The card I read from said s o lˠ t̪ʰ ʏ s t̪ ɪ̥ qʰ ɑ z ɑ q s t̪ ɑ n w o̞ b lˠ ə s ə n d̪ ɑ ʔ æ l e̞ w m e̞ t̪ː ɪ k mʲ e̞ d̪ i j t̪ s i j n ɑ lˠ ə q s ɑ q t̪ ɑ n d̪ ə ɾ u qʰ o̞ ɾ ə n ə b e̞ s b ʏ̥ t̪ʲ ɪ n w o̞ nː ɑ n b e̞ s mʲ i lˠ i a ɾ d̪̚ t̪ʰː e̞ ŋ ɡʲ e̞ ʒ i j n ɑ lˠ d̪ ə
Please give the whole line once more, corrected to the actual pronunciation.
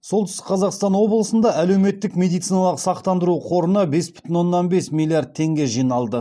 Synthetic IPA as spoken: s o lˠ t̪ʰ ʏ s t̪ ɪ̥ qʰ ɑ z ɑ q s t̪ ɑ n w o̞ b lˠ ə s ə n d̪ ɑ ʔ æ l e̞ w m e̞ t̪ː ɪ k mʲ e̞ d̪ i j t̪ s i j n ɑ lˠ ə q s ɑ q t̪ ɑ n d̪ ə ɾ u qʰ o̞ ɾ ə n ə b e̞ s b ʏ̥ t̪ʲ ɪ n w o̞ nː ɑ n b e̞ s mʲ i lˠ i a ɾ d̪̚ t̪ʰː e̞ ŋ ɡʲ e̞ ʒ i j n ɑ lˠ d̪ ə